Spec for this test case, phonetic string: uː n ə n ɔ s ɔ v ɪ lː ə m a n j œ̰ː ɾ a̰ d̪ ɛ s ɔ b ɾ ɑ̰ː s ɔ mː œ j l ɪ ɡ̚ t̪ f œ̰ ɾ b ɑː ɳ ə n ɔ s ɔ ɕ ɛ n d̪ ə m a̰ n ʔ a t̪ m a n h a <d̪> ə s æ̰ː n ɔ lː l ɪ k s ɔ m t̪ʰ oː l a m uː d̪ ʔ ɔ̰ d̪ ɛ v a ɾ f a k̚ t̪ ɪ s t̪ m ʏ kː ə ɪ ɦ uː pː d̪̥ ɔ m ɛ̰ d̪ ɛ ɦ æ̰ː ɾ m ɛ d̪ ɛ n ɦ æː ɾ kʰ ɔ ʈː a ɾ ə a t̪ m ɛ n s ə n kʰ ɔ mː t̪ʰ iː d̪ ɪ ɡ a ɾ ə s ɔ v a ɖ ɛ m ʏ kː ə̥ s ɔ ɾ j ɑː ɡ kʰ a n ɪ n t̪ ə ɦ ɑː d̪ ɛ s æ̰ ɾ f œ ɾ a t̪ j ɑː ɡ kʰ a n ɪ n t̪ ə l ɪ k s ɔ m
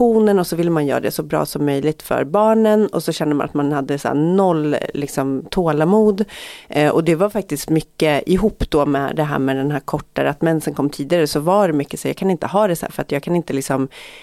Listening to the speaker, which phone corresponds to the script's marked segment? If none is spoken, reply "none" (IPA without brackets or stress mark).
d̪ː